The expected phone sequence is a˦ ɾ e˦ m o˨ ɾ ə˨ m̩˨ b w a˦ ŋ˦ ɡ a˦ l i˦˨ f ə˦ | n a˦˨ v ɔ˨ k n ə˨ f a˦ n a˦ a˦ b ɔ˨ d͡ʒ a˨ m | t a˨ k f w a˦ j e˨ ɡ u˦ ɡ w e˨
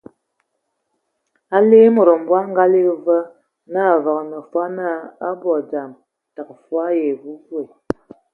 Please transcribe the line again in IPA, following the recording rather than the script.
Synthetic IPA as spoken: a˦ l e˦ m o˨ ɾ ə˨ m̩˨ b w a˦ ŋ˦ ɡ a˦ l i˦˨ v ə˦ | n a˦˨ v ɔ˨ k n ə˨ f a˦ n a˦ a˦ b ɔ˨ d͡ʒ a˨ m | t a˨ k f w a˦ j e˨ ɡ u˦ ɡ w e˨

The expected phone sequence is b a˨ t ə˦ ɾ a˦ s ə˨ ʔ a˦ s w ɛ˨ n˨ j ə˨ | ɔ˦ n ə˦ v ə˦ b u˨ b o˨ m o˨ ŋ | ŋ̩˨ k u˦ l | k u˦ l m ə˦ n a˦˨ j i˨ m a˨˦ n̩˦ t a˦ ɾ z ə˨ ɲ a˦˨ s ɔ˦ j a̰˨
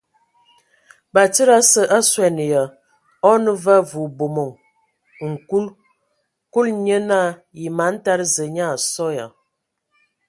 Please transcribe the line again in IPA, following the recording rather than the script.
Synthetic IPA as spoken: b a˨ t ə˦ ɾ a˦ s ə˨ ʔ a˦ s w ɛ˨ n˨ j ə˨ | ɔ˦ n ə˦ v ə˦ v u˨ b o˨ m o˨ ŋ | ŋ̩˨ k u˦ l | k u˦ l ɲ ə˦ n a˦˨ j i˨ m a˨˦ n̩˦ t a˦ ɾ z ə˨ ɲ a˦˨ s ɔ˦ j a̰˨

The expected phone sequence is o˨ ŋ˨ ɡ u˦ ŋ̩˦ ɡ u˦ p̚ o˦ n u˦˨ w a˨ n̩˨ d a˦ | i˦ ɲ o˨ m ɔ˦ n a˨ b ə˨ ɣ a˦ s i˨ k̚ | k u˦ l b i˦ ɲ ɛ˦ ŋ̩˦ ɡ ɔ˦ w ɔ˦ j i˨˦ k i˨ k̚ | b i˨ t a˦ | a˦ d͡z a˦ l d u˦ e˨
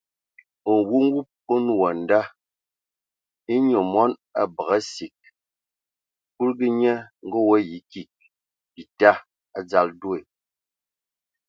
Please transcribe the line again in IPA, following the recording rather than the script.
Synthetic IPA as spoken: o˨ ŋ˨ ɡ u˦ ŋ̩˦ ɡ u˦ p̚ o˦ n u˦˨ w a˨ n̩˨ d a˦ | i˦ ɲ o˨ m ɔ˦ n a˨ b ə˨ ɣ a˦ s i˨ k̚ | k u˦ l ɡ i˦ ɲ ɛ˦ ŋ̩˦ ɡ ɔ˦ w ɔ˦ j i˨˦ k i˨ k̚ | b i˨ t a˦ | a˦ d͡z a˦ l d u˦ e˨

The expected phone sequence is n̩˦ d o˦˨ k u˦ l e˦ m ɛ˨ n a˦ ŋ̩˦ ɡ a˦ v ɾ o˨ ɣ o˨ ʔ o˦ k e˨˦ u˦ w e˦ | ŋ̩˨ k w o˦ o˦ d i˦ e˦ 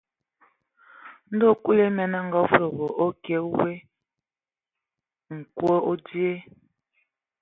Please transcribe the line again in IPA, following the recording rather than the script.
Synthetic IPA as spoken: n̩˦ d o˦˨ k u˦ l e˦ m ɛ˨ n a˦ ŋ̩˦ ɡ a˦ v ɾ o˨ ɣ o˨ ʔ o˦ k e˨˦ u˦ w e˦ | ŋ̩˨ k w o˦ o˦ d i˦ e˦

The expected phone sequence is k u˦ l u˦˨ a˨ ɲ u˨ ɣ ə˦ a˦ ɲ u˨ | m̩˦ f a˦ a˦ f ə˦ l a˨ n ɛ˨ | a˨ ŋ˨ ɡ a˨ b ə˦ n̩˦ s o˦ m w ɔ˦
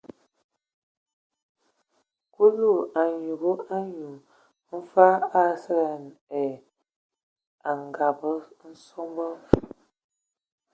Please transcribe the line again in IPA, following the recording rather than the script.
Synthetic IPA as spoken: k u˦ l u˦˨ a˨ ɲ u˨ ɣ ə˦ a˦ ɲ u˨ | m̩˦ f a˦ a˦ s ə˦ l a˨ n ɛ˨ | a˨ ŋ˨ ɡ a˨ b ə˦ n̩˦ s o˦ m b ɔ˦

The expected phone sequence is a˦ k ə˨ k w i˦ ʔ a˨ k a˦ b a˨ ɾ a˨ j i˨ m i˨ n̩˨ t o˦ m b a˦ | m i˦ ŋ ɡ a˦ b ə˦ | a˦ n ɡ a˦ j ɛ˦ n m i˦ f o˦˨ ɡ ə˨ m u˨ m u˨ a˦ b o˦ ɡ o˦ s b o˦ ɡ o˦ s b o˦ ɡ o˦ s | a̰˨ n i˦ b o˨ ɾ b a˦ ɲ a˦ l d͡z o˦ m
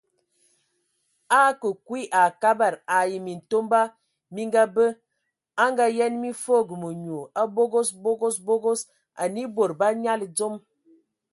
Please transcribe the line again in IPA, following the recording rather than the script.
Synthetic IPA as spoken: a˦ k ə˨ k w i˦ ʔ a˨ k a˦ b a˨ ɾ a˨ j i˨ m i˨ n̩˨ t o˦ m b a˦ | m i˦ ŋ ɡ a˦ b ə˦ | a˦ ŋ ɡ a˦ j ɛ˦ n m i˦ f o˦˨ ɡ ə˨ m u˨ ɲ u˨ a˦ b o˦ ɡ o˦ s b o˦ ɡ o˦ s b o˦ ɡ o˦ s | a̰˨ n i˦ b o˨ ɾ b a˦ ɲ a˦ l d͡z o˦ m

